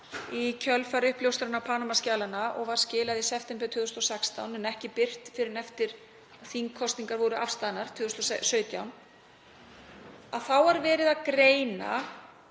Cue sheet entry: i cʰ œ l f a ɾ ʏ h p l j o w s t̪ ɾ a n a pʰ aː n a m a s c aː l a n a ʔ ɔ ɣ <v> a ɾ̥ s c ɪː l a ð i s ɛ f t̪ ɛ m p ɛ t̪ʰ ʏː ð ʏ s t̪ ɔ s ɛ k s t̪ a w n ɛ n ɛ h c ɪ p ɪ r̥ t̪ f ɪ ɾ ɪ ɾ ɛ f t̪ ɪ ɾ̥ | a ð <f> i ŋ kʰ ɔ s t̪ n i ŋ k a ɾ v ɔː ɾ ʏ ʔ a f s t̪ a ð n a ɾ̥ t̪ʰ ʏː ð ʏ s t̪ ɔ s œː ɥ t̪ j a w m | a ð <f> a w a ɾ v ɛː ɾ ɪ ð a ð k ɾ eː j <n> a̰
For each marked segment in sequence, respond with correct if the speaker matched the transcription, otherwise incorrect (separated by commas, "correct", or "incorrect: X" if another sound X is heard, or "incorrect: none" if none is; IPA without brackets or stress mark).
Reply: correct, incorrect: θ, incorrect: θ, correct